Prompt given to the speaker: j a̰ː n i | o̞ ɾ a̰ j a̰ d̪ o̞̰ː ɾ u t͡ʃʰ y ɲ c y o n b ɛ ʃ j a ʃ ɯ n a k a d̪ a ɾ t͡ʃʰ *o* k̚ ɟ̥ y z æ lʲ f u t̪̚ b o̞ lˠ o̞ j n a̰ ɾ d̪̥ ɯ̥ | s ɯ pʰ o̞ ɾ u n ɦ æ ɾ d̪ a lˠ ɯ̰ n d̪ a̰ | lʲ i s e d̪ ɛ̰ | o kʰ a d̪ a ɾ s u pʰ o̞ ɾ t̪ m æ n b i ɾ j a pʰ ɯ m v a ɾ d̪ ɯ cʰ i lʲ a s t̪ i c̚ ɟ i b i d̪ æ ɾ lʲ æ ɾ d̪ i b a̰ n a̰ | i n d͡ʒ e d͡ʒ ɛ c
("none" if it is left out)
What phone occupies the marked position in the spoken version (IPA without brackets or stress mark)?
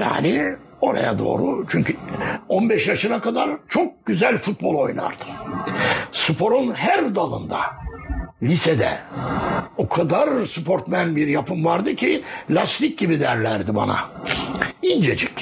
o